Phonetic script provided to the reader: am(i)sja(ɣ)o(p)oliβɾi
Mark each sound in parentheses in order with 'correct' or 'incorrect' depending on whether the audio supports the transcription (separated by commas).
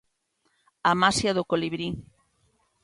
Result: incorrect, incorrect, incorrect